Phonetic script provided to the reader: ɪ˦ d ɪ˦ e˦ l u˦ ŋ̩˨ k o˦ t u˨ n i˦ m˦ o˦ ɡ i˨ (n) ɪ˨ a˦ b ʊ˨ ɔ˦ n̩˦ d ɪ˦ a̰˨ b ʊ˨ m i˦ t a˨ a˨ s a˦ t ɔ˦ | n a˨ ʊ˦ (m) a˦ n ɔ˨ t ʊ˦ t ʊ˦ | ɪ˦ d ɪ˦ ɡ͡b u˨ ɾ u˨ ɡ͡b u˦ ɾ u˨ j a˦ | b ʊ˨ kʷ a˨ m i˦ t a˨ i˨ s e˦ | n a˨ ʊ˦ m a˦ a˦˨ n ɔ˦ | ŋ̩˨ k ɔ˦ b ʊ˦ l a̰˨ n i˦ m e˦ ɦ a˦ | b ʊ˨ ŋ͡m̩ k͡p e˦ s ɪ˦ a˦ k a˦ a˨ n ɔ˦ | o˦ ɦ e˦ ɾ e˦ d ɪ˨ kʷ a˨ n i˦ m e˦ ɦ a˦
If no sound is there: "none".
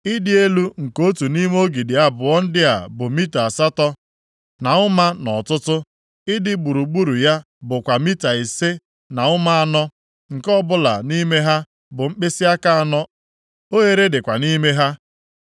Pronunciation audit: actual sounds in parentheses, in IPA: d, m

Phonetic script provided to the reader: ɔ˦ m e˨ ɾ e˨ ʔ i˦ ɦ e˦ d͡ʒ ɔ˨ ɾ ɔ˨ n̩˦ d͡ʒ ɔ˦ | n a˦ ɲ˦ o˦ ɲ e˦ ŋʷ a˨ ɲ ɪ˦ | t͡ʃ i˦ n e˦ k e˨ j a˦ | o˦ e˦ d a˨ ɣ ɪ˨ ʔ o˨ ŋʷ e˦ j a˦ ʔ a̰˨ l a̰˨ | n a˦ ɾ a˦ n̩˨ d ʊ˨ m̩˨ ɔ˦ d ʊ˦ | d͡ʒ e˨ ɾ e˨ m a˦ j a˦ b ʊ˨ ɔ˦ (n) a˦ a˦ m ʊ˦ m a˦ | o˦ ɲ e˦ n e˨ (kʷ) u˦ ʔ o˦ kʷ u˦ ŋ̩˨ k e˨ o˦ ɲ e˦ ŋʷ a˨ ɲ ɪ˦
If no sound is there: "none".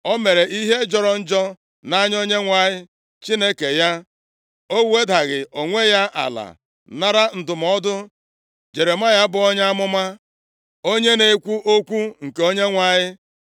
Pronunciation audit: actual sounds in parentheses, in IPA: ɲ, kʷ

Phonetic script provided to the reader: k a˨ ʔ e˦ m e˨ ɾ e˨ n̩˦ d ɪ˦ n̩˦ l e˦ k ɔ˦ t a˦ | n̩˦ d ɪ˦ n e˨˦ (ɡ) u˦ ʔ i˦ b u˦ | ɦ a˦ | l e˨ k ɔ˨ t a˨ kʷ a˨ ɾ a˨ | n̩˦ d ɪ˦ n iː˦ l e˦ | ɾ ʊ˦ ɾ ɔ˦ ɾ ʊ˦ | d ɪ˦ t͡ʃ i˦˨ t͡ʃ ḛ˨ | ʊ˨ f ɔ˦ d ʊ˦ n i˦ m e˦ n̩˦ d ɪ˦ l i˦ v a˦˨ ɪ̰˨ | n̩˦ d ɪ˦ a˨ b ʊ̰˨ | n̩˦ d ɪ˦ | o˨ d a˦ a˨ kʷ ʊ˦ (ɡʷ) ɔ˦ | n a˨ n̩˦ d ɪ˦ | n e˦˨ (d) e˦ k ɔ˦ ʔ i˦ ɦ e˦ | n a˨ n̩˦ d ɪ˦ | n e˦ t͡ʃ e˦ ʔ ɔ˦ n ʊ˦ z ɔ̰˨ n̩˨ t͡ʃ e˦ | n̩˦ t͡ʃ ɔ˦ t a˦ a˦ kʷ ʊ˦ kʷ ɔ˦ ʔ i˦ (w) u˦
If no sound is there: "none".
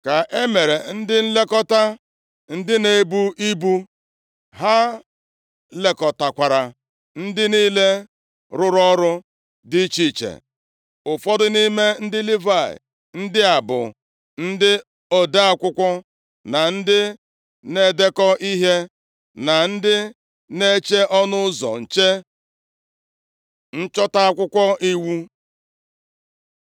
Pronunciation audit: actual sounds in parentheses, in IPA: b, kʷ, d, w

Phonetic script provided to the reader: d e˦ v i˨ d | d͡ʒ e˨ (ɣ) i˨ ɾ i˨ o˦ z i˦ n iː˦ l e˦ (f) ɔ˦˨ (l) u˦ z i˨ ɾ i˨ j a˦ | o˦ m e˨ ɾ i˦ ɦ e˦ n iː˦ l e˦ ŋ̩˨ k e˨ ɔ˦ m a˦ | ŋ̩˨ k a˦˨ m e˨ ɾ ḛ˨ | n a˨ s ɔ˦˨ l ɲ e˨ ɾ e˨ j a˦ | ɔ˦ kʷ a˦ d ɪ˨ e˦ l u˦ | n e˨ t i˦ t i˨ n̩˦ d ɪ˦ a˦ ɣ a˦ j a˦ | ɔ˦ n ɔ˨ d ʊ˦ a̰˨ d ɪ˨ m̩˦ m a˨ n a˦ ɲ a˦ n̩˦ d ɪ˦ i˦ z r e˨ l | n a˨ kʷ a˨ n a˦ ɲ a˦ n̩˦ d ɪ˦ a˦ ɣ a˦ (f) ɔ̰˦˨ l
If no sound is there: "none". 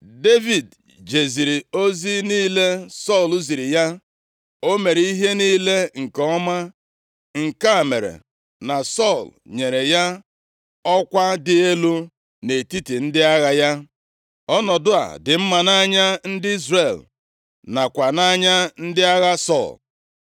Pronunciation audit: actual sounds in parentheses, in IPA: z, s, l, s

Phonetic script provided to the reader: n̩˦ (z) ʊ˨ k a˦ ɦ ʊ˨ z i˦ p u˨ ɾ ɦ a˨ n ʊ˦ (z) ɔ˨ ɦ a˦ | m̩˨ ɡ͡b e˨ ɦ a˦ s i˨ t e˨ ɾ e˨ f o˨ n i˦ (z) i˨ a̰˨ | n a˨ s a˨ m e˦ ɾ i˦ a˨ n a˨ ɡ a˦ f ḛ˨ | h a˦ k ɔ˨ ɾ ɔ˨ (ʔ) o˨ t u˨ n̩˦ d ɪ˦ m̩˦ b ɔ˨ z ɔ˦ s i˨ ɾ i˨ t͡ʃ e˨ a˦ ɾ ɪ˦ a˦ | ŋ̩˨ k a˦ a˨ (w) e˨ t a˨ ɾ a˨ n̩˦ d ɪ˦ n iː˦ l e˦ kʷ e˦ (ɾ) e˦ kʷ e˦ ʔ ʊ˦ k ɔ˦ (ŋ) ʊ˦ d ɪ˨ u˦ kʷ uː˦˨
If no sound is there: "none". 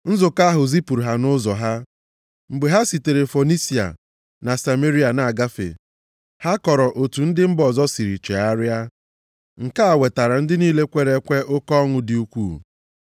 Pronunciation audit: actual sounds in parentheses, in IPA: z, z, s, ʔ, w, ɾ, ŋ

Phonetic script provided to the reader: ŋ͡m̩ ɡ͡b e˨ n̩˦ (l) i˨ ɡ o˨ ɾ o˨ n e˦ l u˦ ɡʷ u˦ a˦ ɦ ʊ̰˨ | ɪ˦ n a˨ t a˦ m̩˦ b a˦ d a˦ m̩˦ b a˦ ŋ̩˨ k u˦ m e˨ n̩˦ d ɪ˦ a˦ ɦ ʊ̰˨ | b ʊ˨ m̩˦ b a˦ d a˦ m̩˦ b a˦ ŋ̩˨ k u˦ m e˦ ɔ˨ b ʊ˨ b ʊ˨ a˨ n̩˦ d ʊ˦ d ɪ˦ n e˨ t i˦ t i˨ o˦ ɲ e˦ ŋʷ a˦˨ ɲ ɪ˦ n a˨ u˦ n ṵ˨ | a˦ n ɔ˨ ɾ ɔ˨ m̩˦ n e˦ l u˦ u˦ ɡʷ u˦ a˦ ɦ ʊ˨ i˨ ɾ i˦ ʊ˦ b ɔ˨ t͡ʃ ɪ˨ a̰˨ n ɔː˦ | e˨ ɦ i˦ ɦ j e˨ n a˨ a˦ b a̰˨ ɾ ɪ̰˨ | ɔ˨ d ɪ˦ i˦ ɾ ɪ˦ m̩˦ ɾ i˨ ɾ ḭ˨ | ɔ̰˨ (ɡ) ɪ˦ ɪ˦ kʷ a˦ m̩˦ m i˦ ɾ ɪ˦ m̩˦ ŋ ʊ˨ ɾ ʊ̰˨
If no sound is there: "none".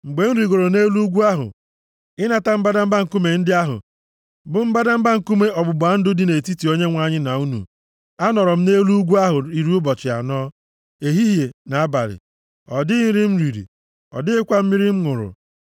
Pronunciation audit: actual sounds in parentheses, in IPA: ɾ, d

